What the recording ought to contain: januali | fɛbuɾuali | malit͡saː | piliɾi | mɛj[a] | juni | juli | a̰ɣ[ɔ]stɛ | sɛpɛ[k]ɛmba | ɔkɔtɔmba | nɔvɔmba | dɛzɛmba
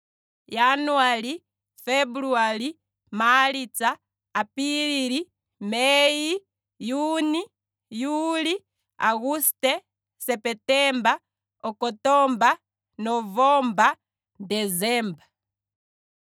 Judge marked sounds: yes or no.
no, no, no

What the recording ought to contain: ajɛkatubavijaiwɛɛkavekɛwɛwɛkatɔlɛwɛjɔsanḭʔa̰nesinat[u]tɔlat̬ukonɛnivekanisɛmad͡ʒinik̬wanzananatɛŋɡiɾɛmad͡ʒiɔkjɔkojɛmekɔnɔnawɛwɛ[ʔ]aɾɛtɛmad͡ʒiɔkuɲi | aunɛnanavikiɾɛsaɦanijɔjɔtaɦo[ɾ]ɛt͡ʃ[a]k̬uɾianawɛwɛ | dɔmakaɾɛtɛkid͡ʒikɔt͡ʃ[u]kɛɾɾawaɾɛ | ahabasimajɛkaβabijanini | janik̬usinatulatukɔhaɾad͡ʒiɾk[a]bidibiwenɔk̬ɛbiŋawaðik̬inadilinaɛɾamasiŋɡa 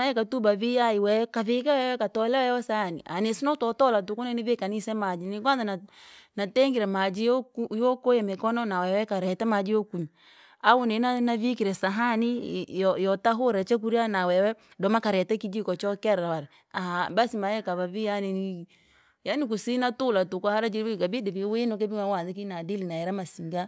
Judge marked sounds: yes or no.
no, no, yes, no, no, yes

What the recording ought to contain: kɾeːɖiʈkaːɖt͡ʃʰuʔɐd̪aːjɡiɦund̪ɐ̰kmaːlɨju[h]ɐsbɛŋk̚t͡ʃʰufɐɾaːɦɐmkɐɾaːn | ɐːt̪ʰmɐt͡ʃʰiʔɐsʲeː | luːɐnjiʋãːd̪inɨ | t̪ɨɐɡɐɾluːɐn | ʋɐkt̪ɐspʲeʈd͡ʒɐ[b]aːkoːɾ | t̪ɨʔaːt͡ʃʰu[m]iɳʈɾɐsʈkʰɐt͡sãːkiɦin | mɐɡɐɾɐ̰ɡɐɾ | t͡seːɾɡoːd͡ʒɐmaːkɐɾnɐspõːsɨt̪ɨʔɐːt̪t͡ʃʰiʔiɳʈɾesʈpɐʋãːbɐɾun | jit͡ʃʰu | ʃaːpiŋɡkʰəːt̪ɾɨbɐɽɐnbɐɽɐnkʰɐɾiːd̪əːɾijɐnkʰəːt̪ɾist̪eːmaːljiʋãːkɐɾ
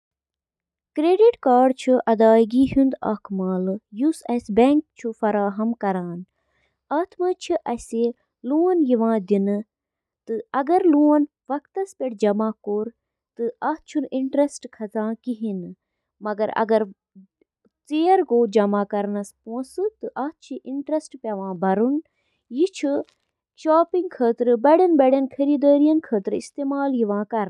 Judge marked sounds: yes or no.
no, no, no

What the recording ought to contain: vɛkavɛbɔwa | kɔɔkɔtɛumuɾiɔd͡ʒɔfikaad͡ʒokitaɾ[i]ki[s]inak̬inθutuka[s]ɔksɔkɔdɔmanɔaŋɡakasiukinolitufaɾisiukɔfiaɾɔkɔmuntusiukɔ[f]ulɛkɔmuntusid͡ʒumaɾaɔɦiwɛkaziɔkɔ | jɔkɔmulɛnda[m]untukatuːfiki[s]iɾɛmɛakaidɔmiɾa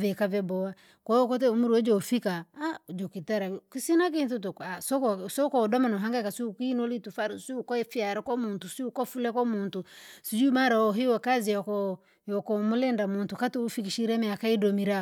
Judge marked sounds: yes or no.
no, yes, yes, yes, yes, no

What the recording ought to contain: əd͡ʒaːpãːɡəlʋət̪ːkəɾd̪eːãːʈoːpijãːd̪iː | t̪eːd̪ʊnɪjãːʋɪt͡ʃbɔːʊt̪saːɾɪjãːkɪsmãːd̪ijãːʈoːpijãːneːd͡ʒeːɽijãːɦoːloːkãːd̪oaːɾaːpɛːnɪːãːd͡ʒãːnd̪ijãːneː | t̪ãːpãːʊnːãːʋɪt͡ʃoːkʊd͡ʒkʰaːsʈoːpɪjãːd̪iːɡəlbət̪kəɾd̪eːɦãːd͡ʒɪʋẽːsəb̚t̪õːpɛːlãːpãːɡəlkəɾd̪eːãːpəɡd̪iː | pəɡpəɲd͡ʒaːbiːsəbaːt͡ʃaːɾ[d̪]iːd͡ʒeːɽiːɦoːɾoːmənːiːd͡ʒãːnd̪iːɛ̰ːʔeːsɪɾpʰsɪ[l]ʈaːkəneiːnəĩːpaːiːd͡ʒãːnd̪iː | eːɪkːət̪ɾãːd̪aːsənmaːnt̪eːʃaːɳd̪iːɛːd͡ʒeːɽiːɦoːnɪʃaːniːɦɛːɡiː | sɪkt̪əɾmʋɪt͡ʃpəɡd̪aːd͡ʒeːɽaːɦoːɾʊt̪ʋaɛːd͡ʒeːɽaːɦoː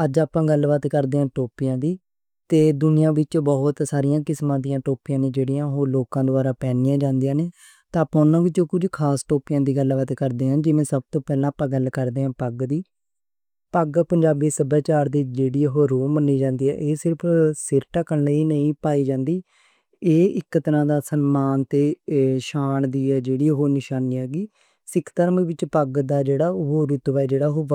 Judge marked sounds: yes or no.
yes, no

